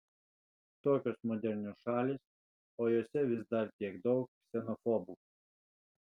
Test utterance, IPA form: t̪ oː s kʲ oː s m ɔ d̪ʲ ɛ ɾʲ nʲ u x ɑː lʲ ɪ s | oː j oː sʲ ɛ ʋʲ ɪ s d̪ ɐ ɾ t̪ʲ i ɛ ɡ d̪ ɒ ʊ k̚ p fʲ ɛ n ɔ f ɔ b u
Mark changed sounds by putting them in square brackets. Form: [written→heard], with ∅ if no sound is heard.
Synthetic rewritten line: t̪ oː [s→∅] kʲ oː s m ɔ d̪ʲ ɛ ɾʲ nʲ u [x→ʃ] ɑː lʲ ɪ s | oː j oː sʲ ɛ ʋʲ ɪ s d̪ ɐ ɾ t̪ʲ i ɛ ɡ d̪ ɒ ʊ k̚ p [fʲ→sʲ] ɛ n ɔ f ɔ b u